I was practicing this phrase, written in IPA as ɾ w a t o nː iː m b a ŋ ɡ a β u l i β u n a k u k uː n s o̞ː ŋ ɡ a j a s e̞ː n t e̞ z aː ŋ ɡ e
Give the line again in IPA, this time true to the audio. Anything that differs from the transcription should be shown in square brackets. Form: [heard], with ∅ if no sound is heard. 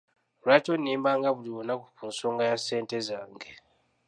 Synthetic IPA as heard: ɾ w a t o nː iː m b a ŋ ɡ a β u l i β [o] n a k u k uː n s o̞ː ŋ ɡ a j a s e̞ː n t e̞ z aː ŋ ɡ e